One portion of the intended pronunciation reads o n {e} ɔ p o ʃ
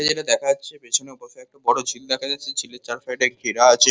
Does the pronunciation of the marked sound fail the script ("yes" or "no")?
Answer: no